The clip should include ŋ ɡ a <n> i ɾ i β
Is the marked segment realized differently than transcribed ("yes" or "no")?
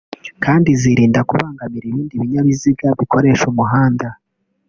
yes